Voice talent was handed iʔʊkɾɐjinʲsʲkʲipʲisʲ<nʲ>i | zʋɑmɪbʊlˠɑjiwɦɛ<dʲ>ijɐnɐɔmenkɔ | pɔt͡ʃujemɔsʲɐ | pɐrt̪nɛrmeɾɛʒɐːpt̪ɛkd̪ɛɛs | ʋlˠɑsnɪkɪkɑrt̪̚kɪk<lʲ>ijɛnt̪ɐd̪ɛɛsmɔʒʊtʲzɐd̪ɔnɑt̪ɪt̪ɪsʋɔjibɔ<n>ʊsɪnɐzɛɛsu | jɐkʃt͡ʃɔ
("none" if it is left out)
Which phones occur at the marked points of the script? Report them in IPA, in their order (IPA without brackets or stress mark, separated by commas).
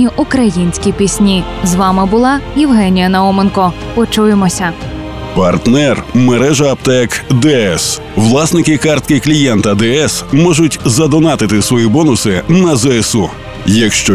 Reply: nʲ, nʲ, lʲ, n